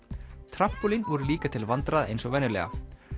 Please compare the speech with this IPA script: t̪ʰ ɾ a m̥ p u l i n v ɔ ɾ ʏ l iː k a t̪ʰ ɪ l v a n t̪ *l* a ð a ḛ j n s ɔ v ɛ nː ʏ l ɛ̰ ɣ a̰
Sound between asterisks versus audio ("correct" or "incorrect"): incorrect